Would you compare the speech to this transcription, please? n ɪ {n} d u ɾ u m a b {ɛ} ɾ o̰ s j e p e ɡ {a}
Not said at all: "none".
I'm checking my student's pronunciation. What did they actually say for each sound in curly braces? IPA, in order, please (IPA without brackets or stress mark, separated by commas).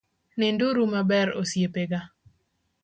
n, ɛ, a